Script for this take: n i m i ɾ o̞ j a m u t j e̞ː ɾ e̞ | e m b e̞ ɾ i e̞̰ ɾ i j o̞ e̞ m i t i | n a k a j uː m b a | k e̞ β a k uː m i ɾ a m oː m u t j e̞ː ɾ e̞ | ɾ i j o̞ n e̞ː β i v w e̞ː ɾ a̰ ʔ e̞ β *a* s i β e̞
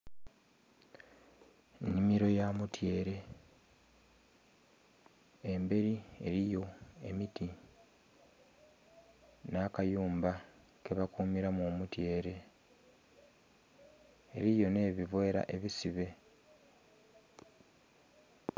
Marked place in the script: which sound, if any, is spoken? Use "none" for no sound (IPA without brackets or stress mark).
i